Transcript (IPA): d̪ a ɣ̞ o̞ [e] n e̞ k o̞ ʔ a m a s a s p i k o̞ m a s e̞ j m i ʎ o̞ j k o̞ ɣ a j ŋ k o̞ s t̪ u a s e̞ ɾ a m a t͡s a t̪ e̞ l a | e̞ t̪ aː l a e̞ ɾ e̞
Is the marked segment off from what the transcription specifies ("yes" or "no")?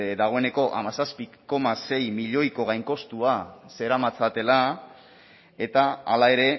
no